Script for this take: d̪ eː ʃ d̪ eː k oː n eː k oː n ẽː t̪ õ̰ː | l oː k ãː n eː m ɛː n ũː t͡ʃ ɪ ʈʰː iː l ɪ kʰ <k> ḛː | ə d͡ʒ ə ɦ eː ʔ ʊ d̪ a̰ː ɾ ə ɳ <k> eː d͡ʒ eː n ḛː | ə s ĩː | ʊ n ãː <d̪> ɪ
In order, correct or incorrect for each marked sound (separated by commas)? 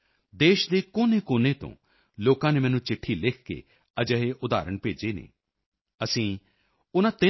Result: correct, incorrect, incorrect